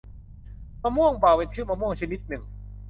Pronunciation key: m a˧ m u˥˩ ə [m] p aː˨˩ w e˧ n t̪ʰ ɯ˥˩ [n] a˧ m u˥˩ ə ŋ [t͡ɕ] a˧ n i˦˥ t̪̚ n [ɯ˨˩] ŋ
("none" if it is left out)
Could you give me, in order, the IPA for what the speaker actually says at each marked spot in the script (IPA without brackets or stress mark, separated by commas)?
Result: ŋ, m, t͡ɕʰ, ɯ˨˩